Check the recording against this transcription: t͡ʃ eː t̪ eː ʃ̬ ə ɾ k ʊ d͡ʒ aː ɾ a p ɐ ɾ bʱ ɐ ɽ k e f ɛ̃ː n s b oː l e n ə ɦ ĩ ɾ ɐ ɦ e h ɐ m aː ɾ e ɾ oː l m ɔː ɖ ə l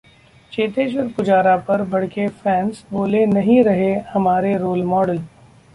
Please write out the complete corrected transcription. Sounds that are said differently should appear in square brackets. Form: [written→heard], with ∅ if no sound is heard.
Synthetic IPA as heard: t͡ʃ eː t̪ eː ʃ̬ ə ɾ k ʊ d͡ʒ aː ɾ a p ɐ ɾ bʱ ɐ ɽ k e f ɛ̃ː n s b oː l e n [ə→ɐ] ɦ ĩ ɾ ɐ ɦ e h ɐ m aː ɾ e ɾ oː l m ɔː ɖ ə l